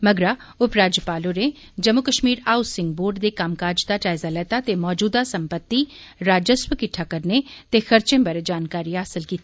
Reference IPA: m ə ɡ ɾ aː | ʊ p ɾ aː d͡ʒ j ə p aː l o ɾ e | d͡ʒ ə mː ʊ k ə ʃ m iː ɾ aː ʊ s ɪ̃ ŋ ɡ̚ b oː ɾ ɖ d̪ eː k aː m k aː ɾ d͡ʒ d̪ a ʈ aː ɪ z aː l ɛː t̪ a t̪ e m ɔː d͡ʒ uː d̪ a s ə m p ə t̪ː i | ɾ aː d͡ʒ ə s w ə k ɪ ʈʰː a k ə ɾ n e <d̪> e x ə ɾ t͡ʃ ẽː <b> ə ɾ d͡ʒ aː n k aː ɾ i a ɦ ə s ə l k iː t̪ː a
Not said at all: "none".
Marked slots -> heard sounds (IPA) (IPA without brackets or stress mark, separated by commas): t̪, b